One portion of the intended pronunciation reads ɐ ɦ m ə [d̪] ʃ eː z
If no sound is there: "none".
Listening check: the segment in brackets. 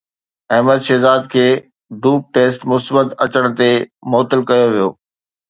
d̪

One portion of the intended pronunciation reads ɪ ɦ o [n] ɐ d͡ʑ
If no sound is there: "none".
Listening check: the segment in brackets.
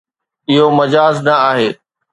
m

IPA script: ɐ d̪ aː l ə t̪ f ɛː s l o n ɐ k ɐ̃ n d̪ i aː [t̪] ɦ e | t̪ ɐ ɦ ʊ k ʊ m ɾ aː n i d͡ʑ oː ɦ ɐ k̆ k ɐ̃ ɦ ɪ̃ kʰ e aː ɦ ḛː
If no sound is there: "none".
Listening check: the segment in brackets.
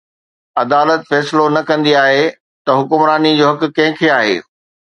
none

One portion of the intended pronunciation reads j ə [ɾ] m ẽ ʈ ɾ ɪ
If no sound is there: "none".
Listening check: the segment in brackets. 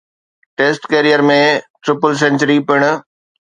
ɾ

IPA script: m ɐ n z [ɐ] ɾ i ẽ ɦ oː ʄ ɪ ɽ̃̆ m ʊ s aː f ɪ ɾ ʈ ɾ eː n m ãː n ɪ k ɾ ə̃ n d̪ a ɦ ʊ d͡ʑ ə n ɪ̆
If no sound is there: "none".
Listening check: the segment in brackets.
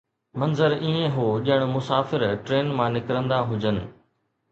ə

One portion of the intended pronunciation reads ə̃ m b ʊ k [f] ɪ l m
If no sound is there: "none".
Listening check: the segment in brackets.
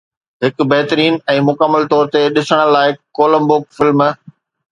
f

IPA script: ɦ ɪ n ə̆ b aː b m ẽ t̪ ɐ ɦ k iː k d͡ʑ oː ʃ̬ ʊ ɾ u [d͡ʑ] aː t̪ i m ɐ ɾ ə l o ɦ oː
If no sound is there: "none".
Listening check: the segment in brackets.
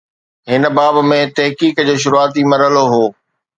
none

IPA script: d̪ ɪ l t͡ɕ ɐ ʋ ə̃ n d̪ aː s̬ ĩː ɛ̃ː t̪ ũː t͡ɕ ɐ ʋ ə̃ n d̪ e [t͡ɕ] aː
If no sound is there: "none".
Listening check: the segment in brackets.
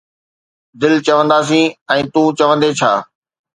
t͡ɕʰ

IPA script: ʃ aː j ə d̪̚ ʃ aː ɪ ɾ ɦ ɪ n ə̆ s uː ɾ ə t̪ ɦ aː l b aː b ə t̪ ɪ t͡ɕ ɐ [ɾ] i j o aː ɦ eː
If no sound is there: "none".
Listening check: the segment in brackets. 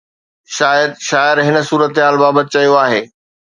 none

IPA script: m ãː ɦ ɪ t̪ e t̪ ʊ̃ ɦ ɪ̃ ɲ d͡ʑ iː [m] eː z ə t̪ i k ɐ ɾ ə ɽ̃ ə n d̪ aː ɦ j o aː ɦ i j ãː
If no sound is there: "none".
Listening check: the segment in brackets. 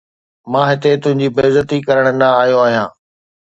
b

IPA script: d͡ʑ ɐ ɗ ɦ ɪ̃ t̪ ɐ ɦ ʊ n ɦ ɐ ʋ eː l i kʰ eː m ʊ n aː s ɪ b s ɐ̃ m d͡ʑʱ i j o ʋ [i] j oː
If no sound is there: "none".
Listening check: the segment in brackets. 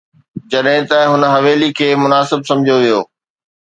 i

